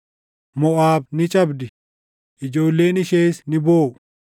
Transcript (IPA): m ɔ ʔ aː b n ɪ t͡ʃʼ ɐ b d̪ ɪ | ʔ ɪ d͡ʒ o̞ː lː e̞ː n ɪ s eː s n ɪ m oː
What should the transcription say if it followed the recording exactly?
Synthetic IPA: m ɔ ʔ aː b n ɪ t͡ʃʼ ɐ b d̪ ɪ | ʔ ɪ d͡ʒ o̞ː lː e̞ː n ɪ ʃ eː s n ɪ b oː